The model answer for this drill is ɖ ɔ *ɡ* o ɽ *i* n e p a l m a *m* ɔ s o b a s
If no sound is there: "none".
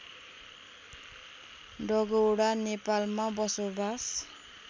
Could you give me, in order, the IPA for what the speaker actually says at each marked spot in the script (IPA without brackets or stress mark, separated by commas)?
ɡ, a, b